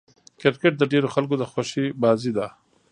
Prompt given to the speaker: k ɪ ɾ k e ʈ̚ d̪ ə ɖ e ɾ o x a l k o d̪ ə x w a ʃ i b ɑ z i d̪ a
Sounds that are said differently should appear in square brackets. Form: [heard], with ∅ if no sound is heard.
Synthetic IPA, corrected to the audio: k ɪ ɾ k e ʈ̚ d̪ ə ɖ e ɾ o x a l k o d̪ ə x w a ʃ i b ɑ z i d̪ a